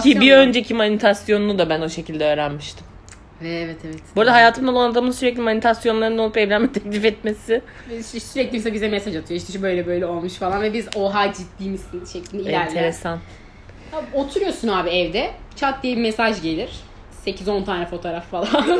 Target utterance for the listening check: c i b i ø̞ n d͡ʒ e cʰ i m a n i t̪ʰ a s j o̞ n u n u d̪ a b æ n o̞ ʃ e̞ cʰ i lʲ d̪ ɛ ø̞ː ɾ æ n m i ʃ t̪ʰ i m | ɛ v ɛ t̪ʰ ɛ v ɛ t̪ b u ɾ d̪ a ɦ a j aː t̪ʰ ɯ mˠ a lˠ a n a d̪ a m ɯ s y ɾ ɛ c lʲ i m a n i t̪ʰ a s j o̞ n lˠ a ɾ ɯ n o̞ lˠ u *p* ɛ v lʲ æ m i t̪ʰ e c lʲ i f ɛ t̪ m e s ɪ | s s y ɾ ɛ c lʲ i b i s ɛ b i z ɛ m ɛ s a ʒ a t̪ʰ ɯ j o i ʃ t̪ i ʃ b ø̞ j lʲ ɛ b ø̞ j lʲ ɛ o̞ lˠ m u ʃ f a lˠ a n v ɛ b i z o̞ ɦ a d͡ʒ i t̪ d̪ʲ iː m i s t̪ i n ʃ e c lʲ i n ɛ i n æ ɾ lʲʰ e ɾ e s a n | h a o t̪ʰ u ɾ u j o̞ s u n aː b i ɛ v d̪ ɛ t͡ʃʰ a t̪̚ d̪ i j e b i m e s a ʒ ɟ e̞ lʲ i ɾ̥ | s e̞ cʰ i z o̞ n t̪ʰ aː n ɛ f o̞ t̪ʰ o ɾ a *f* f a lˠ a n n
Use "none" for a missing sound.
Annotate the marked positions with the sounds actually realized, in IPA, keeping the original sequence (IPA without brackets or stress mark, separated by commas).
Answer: p, f